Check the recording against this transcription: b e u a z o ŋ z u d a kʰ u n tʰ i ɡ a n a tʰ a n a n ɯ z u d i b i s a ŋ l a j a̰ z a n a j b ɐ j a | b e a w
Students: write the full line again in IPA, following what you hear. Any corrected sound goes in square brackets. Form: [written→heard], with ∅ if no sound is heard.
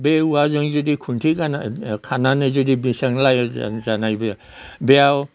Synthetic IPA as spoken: b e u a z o ŋ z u d [a→i] kʰ u n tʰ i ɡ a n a [tʰ→kʰ] a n a n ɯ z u d i b i s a ŋ l a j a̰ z a n a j b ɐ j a | b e a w